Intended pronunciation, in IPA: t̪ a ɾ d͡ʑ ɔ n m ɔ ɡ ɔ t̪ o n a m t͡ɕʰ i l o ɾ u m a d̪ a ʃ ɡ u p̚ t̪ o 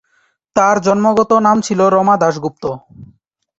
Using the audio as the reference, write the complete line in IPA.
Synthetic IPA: t̪ a ɾ d͡ʑ ɔ n m o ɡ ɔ t̪ o n a m t͡ɕʰ i l o ɾ ɔ m a d̪ a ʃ ɡ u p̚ t̪ o